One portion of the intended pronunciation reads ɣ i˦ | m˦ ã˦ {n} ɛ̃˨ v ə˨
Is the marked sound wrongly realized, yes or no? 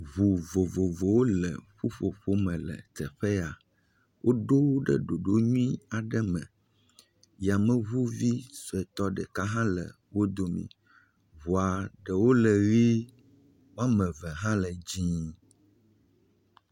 yes